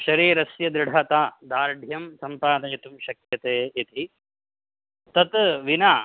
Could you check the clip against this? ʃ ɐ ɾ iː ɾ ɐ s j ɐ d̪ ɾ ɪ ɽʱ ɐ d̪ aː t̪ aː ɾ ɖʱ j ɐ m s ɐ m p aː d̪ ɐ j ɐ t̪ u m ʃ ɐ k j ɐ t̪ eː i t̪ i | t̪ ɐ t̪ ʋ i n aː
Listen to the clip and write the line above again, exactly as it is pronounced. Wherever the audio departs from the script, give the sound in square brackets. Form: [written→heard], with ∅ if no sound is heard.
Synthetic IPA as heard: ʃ ɐ ɾ iː ɾ ɐ s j ɐ d̪ ɾ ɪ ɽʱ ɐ [d̪→t̪] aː [t̪→d̪] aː ɾ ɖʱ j ɐ m s ɐ m p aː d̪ ɐ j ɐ t̪ u m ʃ ɐ k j ɐ t̪ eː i t̪ i | t̪ ɐ t̪ ʋ i n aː